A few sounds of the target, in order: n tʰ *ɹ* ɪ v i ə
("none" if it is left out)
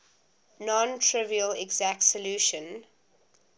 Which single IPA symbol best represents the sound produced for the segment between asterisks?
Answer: ɹ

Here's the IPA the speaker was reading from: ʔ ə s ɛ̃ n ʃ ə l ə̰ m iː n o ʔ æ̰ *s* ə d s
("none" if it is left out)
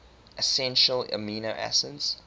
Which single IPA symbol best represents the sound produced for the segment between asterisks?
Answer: s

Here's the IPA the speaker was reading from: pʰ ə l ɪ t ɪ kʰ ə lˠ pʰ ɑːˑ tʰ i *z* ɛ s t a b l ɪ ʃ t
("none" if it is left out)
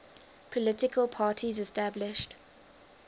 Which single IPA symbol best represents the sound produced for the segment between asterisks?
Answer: z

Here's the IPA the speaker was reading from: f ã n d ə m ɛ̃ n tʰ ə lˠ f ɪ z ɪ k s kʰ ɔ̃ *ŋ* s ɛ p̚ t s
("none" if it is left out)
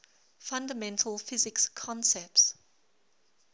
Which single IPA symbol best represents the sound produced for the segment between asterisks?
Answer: n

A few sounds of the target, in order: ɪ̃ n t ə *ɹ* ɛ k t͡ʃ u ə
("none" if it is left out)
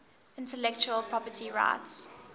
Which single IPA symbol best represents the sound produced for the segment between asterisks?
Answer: l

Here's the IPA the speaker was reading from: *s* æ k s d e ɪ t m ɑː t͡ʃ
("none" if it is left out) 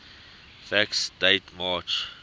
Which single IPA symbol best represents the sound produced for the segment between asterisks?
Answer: f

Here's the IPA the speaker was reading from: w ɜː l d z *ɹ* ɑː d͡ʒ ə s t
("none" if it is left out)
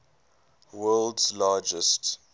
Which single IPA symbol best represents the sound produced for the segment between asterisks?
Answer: l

